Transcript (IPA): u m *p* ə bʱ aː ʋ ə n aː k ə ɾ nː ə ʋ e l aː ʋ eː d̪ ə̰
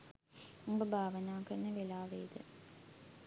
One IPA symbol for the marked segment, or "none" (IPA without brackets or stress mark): b